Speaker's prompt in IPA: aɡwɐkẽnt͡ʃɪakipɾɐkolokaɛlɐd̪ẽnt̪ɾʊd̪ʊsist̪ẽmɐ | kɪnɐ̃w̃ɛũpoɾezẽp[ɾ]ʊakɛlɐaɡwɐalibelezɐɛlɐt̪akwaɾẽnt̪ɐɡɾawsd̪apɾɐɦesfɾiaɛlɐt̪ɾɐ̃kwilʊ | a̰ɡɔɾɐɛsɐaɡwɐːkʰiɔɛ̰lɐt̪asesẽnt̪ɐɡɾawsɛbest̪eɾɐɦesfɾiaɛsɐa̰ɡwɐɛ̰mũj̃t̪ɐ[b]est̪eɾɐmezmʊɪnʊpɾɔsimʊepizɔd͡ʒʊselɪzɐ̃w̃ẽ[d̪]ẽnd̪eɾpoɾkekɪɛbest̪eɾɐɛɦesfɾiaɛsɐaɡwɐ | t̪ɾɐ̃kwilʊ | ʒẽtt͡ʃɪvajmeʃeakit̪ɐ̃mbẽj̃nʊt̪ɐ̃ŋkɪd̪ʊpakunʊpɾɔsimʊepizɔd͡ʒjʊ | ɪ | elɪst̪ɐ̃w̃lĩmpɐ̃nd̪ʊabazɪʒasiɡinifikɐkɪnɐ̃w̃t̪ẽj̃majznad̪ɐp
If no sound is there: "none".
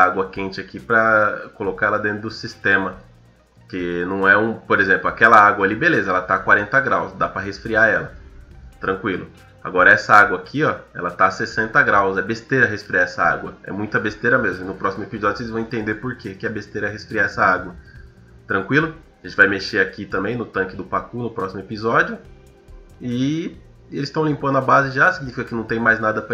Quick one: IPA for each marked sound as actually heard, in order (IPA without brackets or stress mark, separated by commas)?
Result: l, b, t̪